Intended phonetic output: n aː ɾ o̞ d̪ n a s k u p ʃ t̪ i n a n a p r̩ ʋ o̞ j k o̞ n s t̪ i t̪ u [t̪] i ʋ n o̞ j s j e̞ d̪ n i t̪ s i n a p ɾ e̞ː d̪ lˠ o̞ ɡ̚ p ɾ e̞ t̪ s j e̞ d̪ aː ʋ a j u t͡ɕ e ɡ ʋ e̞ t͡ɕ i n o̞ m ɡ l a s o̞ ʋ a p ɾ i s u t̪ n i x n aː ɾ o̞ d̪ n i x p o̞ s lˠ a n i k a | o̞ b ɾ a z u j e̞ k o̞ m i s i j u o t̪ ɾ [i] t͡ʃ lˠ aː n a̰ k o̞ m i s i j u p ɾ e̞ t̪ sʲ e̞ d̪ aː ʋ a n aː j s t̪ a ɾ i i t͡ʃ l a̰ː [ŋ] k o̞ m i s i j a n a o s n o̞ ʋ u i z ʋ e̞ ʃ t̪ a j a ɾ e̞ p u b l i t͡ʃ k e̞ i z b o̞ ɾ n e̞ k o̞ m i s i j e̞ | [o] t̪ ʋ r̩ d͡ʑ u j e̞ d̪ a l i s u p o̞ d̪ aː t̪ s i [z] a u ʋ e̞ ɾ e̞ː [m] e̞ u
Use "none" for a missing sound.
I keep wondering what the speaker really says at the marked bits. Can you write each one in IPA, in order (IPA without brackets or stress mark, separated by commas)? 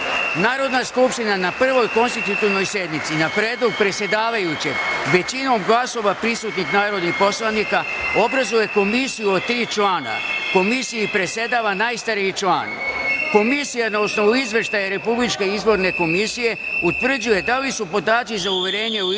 t̪, iː, n, u, z, ɲ